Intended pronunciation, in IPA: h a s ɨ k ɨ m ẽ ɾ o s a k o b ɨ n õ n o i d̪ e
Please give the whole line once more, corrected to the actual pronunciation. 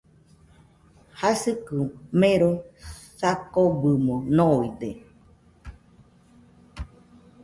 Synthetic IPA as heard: h a s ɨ k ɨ m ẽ ɾ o s a k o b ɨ m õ n o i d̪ e